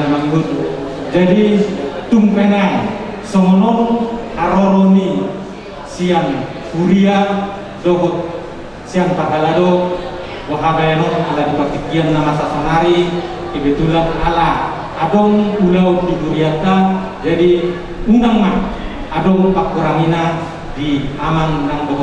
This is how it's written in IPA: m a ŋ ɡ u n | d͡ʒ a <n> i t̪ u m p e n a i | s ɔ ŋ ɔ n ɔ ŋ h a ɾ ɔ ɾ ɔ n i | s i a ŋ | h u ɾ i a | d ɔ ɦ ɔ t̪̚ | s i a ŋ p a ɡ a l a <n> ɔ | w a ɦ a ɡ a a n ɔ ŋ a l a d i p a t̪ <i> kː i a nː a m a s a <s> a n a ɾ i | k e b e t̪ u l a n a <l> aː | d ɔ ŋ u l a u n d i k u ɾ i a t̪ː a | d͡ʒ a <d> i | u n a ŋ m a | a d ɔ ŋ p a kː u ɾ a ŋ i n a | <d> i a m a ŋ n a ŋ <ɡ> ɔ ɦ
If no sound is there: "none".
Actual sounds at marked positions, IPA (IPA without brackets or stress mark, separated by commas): d, d, i, s, l, d, d, d